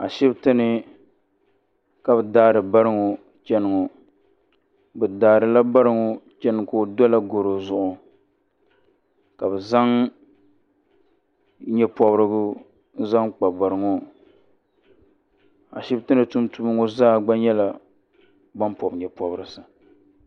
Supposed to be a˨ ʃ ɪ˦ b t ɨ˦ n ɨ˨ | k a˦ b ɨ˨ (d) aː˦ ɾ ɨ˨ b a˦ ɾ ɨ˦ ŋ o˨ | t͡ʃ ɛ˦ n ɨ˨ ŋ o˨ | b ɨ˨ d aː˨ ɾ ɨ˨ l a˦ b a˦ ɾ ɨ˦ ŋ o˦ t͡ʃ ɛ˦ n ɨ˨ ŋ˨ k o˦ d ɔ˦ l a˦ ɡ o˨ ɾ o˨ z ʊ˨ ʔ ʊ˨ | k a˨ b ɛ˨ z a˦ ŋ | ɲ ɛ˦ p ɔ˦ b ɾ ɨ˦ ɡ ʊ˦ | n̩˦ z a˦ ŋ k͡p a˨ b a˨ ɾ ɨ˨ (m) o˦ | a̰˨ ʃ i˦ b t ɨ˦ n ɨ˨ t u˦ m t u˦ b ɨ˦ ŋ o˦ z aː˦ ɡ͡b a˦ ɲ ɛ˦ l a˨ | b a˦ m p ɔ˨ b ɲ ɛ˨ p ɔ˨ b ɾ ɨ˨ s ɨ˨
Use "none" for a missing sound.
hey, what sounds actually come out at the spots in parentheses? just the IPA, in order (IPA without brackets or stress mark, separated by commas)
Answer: d, ŋ